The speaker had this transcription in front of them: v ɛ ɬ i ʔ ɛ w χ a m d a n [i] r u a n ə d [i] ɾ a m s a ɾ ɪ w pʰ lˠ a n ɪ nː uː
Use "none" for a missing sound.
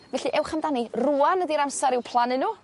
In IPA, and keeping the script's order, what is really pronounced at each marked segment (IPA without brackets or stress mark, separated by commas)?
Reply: i, i